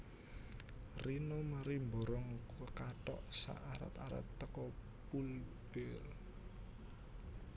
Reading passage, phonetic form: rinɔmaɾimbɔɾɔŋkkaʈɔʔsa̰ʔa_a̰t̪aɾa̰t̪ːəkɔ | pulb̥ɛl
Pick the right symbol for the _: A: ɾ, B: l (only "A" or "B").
A